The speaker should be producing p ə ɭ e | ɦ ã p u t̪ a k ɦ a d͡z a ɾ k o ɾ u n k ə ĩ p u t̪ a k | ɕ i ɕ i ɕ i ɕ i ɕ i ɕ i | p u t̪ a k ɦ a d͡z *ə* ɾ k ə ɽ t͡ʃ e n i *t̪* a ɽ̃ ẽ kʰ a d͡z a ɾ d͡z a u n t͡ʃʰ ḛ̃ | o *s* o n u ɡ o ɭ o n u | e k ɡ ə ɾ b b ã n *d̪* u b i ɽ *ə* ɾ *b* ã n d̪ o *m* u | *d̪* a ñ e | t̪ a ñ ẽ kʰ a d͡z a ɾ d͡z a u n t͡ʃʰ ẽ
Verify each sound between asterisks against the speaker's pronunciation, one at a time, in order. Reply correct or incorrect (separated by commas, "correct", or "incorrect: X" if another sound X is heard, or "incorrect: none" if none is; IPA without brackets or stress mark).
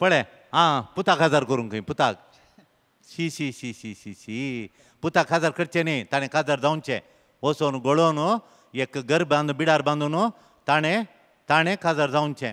incorrect: a, correct, correct, correct, incorrect: a, correct, incorrect: n, incorrect: t̪